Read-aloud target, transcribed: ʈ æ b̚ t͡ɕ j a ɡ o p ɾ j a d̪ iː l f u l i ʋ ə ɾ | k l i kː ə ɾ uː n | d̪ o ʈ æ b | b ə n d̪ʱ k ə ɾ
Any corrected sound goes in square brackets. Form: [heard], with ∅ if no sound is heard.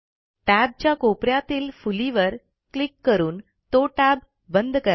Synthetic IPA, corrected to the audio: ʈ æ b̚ t͡ɕ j a [k] o p ɾ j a [t̪] iː l f u l i ʋ ə ɾ | k l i kː ə ɾ uː n | [t̪] o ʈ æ b | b ə n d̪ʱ k ə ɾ